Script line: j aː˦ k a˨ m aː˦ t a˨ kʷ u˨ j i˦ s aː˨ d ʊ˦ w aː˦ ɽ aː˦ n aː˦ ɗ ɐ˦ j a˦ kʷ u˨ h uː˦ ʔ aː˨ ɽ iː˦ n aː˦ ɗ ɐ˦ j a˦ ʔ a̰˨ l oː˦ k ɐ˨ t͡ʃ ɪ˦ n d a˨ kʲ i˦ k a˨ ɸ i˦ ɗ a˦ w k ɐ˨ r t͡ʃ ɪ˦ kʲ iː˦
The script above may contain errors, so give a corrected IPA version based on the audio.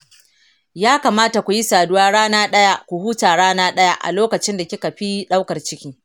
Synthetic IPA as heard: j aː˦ k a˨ m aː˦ t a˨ kʷ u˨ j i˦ s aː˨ d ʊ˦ w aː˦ ɽ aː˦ n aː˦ ɗ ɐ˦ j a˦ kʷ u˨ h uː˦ t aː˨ ɽ aː˦ n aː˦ ɗ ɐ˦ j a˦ ʔ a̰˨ l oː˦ k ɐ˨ t͡ʃ ɪ˦ n d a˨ kʲ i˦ k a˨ ɸ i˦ ɗ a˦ w k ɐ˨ r t͡ʃ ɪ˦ kʲ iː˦